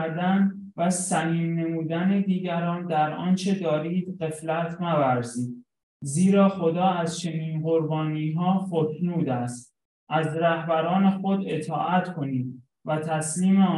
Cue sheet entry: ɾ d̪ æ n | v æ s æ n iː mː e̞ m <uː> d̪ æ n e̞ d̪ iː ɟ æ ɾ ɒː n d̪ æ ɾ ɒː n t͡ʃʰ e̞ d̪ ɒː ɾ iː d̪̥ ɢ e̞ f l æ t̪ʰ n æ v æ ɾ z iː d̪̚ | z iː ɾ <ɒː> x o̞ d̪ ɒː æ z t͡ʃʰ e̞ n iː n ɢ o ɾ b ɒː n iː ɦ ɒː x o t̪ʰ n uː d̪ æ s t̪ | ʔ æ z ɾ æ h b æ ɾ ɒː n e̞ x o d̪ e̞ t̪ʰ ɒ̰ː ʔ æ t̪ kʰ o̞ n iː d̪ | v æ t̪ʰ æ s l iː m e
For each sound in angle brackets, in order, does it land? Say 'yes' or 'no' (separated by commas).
yes, yes